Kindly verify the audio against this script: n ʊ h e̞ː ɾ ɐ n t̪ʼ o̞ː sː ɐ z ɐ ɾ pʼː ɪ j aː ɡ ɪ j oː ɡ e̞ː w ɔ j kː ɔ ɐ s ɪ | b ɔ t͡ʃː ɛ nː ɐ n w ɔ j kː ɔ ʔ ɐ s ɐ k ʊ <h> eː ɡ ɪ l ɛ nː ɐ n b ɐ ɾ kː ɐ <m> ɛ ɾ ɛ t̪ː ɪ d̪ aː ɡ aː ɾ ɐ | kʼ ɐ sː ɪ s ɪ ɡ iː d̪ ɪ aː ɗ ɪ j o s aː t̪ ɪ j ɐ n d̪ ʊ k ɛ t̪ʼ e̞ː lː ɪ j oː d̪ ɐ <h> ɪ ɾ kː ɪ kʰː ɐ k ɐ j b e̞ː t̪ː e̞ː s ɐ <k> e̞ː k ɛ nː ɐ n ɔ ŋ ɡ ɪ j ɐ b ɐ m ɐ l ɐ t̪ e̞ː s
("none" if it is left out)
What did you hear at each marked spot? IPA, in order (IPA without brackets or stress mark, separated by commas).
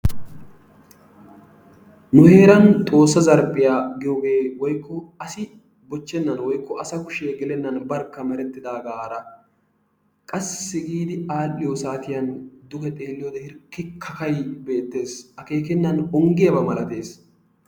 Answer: ʃ, m, h, k